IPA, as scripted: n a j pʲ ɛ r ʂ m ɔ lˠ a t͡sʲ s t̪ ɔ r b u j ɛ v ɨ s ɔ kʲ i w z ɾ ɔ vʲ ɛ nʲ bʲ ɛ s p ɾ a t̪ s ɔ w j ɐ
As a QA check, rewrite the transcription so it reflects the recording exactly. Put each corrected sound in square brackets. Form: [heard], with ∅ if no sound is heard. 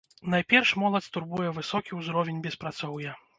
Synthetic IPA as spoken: n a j pʲ ɛ r ʂ m ɔ lˠ [ɐ] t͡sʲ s t̪ [u] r b u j ɛ v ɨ s ɔ kʲ i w z ɾ ɔ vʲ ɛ nʲ bʲ ɛ s p ɾ a t̪ s ɔ w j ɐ